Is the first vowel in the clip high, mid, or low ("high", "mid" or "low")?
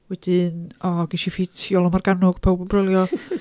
mid